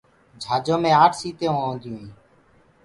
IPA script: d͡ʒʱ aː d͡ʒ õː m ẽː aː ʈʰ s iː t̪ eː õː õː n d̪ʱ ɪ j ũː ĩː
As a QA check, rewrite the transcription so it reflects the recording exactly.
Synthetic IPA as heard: d͡ʒʱ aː d͡ʒ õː m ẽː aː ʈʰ s iː t̪ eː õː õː n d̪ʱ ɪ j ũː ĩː